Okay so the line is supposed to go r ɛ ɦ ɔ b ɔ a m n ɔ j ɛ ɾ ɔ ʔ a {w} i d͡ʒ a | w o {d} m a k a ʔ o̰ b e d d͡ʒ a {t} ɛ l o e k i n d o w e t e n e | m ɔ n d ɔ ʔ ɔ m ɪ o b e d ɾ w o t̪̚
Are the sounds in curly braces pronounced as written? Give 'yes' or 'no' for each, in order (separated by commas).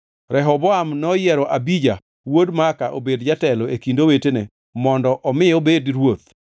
no, yes, yes